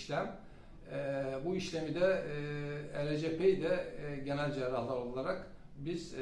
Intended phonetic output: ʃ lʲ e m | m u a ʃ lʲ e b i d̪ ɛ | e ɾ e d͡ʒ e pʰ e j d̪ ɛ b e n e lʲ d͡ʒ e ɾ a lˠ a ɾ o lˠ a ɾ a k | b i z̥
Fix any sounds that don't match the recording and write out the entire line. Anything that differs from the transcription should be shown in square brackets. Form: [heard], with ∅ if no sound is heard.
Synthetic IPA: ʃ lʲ [æ] m | [b] u [i] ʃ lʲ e [m] i d̪ ɛ | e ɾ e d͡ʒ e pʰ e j d̪ ɛ [ɟ] e n [æ] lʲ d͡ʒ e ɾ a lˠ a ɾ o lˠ a ɾ a k | b i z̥